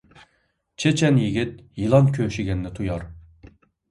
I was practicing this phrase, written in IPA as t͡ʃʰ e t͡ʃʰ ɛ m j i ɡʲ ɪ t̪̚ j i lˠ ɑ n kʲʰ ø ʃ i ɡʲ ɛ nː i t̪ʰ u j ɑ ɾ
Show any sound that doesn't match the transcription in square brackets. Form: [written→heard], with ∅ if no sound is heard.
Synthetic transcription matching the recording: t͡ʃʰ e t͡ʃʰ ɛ [m→n] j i ɡʲ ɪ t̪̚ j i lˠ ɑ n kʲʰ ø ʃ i ɡʲ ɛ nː [i→ɪ] t̪ʰ u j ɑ ɾ